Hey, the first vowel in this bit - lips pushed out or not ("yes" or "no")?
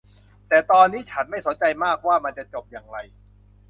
no